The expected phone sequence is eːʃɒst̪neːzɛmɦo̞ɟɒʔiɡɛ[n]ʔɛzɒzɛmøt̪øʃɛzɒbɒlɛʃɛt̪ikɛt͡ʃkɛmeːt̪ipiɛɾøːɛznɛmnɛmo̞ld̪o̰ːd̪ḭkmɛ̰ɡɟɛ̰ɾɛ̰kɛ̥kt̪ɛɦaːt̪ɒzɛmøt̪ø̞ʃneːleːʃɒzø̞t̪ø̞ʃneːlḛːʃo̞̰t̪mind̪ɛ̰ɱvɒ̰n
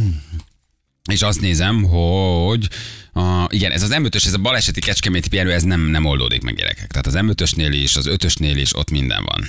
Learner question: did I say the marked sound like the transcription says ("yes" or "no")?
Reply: yes